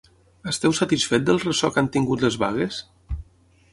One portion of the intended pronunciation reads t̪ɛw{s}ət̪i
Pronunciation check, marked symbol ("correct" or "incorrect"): correct